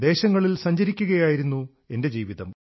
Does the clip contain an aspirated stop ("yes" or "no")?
no